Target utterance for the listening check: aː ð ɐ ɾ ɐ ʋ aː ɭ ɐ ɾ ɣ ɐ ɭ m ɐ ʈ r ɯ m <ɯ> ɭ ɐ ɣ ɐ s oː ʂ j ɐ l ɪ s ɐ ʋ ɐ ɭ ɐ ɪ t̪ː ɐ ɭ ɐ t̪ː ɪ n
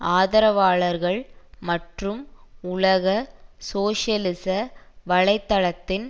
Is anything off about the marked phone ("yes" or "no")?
yes